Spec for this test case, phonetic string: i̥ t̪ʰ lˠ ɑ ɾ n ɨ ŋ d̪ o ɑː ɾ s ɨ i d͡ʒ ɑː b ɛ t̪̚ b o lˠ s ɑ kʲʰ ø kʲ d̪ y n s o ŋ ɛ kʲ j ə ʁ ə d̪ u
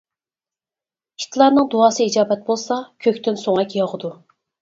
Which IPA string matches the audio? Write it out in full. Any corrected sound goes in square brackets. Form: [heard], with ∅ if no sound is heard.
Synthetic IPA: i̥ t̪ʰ lˠ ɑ ɾ n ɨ ŋ d̪ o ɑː [∅] s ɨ i d͡ʒ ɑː b ɛ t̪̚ b o lˠ s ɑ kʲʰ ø kʲ [t̪] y n s o ŋ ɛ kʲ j [ɑ] ʁ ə d̪ u

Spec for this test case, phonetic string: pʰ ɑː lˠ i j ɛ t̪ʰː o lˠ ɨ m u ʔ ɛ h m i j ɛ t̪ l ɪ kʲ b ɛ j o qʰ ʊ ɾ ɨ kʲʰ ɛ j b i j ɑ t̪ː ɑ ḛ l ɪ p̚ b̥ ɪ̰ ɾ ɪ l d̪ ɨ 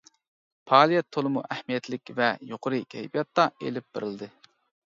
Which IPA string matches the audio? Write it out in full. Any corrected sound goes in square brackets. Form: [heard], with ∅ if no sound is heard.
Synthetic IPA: pʰ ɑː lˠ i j ɛ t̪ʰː o lˠ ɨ m u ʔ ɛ h m i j ɛ t̪ l ɪ kʲ [v] ɛ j o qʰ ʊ ɾ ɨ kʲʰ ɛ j b i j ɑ t̪ː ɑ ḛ l ɪ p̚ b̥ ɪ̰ ɾ ɪ l d̪ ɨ

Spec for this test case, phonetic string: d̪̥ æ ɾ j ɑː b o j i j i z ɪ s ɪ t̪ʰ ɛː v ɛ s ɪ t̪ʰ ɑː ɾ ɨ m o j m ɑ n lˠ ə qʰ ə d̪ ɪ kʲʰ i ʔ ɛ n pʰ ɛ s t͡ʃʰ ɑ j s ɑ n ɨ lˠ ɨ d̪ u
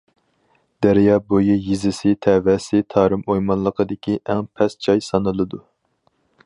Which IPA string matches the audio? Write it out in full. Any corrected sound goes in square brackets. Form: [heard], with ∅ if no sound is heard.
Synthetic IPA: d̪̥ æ ɾ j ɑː b o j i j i z ɪ s ɪ t̪ʰ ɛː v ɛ s ɪ t̪ʰ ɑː ɾ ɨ m o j m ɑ n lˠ ə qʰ ə d̪ ɪ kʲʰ i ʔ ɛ [ŋ] pʰ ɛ s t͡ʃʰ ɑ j s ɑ n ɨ lˠ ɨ d̪ u

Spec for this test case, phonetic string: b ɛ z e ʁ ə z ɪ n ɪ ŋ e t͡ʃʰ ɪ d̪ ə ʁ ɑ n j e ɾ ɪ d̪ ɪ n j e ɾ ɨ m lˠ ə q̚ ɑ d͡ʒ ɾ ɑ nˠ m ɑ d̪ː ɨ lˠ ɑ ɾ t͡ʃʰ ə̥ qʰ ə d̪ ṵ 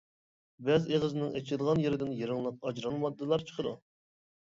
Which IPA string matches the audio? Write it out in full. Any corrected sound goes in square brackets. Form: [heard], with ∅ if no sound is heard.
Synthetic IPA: b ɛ z e ʁ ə z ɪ n ɪ ŋ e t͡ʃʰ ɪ d̪ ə ʁ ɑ n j e ɾ ɪ d̪ ɪ n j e ɾ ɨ [ŋ] lˠ ə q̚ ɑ d͡ʒ ɾ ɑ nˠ m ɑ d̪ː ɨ lˠ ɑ ɾ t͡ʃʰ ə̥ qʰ ə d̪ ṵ

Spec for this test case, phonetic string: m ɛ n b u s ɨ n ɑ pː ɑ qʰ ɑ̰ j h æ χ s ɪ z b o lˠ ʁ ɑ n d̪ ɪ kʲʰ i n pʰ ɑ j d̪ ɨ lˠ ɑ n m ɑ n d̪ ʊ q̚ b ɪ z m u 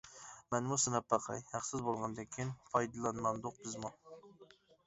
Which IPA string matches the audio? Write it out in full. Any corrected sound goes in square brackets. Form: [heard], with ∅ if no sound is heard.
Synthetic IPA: m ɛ n [m] u s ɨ n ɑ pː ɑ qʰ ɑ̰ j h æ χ s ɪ z b o lˠ ʁ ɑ n d̪ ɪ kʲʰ i n pʰ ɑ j d̪ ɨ lˠ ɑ n m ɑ n d̪ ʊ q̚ b ɪ z m u

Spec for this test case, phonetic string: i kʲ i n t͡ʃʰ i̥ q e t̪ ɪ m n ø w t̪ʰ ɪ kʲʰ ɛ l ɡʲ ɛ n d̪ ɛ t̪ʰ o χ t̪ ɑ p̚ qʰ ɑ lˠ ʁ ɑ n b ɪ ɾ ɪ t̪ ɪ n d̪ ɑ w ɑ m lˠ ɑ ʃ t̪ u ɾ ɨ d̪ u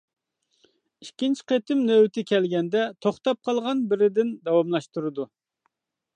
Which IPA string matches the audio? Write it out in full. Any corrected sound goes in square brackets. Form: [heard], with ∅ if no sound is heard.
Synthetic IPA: i kʲ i n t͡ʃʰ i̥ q e t̪ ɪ m n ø w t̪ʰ ɪ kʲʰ ɛ l ɡʲ ɛ n d̪ ɛ t̪ʰ o χ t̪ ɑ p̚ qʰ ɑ lˠ ʁ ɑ n b ɪ ɾ ɪ [d̪] ɪ n d̪ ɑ w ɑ m lˠ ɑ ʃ t̪ u ɾ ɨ d̪ u

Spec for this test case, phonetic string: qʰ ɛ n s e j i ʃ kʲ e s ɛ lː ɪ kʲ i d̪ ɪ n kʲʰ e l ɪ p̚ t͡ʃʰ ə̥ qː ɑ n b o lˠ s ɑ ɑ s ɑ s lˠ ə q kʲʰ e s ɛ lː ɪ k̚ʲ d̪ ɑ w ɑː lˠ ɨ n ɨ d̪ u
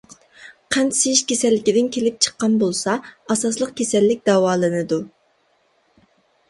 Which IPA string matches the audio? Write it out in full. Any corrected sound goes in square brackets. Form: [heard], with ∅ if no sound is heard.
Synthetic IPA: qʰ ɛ n s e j i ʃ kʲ e s ɛ lː ɪ kʲ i d̪ ɪ n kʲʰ e l ɪ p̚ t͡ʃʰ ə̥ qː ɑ n b o lˠ s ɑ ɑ s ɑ s lˠ ə q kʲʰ e s ɛ lː ɪ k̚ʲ d̪ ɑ w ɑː lˠ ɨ n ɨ d̪ u

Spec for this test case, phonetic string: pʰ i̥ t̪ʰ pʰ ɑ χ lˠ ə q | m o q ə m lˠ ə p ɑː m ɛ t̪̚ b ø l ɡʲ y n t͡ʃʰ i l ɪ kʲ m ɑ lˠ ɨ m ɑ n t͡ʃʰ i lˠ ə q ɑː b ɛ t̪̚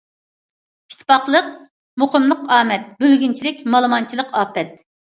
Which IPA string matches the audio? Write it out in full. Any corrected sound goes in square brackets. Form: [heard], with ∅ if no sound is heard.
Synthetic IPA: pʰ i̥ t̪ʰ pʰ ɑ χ lˠ ə q | m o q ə m lˠ ə [q] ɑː m ɛ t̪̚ b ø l ɡʲ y n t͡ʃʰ i l ɪ kʲ m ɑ lˠ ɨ m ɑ n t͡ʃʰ i lˠ ə q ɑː [p] ɛ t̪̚

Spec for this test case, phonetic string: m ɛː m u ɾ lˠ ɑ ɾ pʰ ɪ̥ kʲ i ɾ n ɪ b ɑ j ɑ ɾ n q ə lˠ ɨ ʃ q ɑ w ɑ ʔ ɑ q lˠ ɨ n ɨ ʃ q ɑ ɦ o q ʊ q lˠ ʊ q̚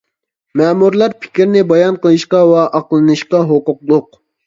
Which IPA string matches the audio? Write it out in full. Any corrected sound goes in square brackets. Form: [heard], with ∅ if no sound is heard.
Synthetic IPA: m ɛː m u ɾ lˠ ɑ ɾ pʰ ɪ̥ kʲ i ɾ n ɪ b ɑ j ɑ [∅] n q ə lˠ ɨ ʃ q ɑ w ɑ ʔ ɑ q lˠ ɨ n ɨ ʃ q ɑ ɦ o q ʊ q lˠ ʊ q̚

